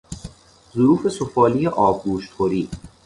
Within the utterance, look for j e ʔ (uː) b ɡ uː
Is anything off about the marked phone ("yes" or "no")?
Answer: yes